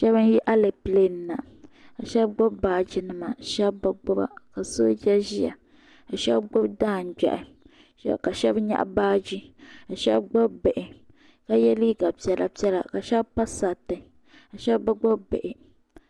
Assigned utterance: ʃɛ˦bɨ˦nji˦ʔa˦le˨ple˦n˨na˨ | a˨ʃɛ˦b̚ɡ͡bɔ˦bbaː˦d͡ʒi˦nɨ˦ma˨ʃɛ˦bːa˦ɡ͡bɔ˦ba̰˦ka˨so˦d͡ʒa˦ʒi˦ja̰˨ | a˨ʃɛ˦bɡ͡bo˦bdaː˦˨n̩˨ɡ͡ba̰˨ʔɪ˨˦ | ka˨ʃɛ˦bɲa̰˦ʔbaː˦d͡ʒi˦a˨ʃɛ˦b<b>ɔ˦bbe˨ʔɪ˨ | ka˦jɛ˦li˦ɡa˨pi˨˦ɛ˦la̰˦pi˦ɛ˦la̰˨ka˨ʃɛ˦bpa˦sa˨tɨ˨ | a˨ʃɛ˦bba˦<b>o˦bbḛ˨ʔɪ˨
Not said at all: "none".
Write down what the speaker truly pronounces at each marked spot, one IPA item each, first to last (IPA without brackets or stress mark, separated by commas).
ɡ͡b, ɡ͡b